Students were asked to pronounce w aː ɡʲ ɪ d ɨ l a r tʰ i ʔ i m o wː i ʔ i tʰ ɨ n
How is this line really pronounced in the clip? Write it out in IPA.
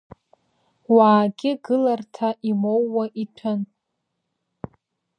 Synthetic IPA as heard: w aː ɡʲ ɪ ɡ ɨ l a r tʰ a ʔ i m o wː a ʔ i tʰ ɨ n